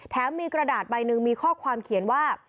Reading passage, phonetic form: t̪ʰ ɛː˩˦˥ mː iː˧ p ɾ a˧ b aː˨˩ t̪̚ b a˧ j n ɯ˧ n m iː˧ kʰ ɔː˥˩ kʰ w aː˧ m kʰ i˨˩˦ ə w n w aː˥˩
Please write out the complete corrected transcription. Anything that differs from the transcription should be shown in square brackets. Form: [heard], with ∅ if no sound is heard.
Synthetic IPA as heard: t̪ʰ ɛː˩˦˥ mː iː˧ [k] ɾ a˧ [d] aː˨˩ t̪̚ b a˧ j n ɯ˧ [ŋ] m iː˧ kʰ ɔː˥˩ kʰ w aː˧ m kʰ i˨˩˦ ə [∅] n w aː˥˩